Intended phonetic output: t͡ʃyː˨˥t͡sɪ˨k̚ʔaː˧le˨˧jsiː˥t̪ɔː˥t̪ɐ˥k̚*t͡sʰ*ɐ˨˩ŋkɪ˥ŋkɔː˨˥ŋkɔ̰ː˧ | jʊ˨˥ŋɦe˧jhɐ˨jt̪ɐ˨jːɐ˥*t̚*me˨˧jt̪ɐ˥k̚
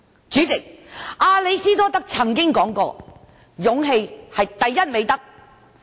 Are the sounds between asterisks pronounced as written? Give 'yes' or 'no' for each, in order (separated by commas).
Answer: yes, yes